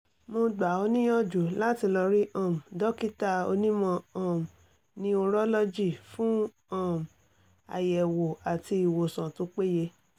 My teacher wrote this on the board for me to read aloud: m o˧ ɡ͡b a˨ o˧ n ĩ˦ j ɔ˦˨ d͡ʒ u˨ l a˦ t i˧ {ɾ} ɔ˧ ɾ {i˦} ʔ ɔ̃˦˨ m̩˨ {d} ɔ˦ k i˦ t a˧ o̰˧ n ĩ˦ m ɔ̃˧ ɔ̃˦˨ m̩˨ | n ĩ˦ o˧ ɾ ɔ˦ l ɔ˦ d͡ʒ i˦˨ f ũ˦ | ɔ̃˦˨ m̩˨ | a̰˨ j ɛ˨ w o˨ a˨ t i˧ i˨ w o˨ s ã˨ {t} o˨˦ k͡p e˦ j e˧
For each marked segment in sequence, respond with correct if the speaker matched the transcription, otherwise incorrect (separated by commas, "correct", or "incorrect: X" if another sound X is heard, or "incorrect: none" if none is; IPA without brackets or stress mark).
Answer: incorrect: l, correct, correct, correct